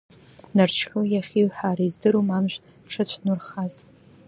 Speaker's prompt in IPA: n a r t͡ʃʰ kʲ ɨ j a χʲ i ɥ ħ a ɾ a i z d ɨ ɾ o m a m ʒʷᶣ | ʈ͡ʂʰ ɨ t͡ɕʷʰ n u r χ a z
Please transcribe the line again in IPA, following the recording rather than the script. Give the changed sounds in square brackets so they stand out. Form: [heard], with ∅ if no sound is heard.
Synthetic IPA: n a r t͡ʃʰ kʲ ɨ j a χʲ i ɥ ħ a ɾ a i z d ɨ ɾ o m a m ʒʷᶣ | ʈ͡ʂʰ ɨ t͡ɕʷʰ n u r χ a z